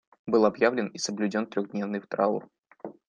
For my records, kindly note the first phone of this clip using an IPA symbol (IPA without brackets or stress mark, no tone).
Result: b